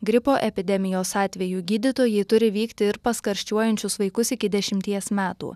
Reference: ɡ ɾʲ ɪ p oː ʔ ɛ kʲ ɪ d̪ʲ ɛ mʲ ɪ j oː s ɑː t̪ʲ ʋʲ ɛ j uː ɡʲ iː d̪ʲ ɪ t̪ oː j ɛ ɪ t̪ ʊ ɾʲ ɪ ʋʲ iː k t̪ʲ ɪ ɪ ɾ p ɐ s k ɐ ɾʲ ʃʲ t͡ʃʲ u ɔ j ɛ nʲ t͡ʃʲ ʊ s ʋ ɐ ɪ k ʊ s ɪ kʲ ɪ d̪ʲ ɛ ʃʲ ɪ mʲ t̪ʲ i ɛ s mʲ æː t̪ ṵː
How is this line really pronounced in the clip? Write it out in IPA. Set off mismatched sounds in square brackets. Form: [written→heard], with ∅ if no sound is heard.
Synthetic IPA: ɡ ɾʲ ɪ p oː ʔ ɛ [kʲ→pʲ] ɪ d̪ʲ ɛ mʲ ɪ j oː s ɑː t̪ʲ ʋʲ ɛ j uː ɡʲ iː d̪ʲ ɪ t̪ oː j ɛ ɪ t̪ ʊ ɾʲ ɪ ʋʲ iː k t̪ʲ ɪ ɪ ɾ p ɐ s k ɐ ɾʲ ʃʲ t͡ʃʲ u ɔ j ɛ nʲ t͡ʃʲ ʊ s ʋ ɐ ɪ k ʊ s ɪ kʲ ɪ d̪ʲ ɛ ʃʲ ɪ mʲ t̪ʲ i ɛ s mʲ æː t̪ ṵː